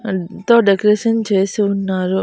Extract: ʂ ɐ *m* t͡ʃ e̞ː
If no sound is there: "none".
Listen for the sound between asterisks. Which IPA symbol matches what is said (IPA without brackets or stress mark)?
n